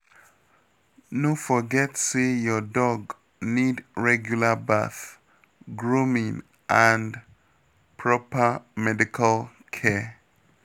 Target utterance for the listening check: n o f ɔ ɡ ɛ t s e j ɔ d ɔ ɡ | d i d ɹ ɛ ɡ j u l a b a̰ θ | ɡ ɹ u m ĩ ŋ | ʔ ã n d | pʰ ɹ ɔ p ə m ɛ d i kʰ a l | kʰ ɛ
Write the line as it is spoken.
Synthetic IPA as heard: n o f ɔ ɡ ɛ t s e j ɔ d ɔ ɡ | n i d ɹ ɛ ɡ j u l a b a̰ θ | ɡ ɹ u m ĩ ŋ | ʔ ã n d | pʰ ɹ ɔ p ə m ɛ d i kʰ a l | kʰ ɛ